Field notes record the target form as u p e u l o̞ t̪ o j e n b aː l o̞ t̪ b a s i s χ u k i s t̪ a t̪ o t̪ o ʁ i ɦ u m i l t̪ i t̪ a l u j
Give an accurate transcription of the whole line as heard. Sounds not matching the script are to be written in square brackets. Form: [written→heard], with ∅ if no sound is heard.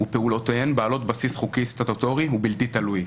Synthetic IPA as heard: u p e u l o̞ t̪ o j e n b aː l o̞ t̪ b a s i s χ u k i s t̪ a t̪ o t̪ o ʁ i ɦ u [m→b] i l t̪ i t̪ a l u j